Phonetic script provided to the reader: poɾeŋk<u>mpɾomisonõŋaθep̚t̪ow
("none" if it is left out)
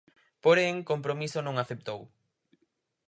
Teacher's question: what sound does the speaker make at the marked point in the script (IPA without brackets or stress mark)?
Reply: o